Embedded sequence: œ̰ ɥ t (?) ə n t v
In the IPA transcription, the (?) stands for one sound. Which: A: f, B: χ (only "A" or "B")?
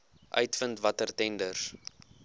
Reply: A